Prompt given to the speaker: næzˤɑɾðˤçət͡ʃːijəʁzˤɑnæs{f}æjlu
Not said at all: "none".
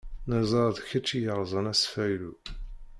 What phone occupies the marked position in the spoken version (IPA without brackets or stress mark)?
f